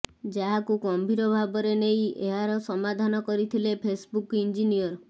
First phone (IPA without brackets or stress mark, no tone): d͡ʒ